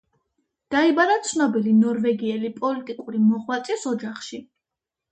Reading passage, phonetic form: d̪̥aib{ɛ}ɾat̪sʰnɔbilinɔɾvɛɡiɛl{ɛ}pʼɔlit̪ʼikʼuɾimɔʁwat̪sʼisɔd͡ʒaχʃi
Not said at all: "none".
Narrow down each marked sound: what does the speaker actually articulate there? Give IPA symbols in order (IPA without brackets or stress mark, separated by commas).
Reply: a, i